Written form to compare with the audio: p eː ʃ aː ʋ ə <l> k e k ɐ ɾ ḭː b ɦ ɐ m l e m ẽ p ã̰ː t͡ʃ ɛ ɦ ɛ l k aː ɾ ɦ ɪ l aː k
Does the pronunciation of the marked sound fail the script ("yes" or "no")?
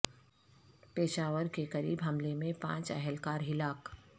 yes